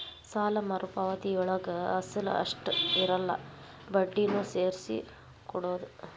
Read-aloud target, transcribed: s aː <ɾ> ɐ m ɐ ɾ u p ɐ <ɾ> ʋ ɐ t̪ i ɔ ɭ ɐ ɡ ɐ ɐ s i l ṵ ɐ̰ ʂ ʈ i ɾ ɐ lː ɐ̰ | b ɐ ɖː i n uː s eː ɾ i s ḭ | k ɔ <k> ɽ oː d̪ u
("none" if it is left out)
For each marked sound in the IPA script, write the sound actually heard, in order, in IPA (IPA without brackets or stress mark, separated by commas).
l, none, none